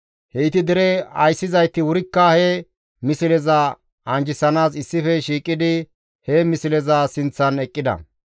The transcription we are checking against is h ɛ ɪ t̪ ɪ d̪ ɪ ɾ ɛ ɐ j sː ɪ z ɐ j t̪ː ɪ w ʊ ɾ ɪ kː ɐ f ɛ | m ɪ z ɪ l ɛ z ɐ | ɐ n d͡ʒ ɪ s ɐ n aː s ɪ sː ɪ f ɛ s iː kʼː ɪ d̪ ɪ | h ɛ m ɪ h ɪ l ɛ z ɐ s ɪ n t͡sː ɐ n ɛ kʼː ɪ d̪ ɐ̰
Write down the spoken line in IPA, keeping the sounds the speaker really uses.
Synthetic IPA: h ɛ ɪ t̪ ɪ d̪ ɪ ɾ ɛ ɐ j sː ɪ z ɐ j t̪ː ɪ w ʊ ɾ ɪ kː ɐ h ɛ | m ɪ s ɪ l ɛ z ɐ | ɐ n d͡ʒ ɪ s ɐ n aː s ɪ sː ɪ f ɛ ʃ iː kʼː ɪ d̪ ɪ | h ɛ m ɪ s ɪ l ɛ z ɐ s ɪ n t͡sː ɐ n ɛ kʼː ɪ d̪ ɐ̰